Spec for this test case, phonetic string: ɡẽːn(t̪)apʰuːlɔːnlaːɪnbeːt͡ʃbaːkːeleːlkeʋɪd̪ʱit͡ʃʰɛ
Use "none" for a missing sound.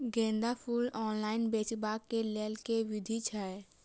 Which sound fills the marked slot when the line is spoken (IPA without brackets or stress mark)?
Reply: d̪